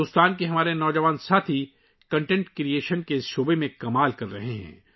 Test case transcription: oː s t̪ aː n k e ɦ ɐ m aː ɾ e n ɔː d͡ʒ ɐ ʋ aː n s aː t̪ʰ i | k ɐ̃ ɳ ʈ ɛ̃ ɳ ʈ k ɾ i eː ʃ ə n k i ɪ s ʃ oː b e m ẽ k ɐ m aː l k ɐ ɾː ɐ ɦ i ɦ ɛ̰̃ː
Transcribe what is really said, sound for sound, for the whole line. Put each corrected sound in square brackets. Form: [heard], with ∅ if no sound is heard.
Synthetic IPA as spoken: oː s t̪ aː n k e ɦ ɐ m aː ɾ e n ɔː d͡ʒ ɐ ʋ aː n s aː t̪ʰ i | k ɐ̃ ɳ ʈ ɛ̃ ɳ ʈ k ɾ i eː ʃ ə n k [e] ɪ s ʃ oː b e m ẽ k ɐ m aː l k ɐ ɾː ɐ ɦ [e] ɦ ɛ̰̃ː